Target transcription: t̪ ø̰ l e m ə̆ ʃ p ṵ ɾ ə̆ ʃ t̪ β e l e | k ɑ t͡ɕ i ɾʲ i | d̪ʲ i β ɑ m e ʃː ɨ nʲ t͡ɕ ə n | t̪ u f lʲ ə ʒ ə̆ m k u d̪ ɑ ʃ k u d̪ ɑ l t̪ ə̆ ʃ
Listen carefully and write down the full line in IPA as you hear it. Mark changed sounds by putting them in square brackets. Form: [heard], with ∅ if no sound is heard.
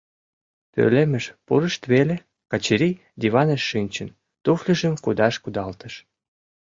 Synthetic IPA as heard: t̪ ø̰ l e m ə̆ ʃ p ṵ ɾ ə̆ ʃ t̪ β e l e | k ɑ t͡ɕ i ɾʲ i | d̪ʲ i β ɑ [n] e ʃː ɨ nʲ t͡ɕ ə n | t̪ u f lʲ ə ʒ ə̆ m k u d̪ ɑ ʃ k u d̪ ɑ l t̪ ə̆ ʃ